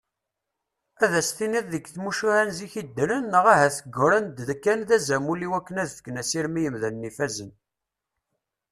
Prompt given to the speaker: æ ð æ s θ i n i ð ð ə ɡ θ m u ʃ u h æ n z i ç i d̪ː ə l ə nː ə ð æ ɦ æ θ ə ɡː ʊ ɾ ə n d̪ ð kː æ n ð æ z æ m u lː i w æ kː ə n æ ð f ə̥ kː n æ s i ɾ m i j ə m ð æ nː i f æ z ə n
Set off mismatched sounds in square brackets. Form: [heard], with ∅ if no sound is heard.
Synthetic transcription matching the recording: æ ð æ s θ i n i ð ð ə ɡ θ m u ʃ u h æ n z i ç i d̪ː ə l ə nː ə [ʁ] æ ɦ æ θ ə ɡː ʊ ɾ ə n d̪ ð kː æ n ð æ z æ m u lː i w æ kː ə n æ ð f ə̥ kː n æ s i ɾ m i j ə m ð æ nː i f æ z ə n